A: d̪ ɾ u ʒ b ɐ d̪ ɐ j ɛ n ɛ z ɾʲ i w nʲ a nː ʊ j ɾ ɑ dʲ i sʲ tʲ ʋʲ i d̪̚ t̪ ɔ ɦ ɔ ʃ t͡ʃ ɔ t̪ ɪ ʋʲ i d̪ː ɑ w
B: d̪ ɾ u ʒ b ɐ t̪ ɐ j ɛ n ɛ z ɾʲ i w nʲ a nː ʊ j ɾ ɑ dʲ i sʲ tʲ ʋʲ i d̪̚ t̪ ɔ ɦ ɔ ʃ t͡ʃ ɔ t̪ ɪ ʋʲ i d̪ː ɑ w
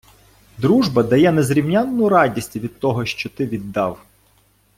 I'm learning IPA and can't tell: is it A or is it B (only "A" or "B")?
A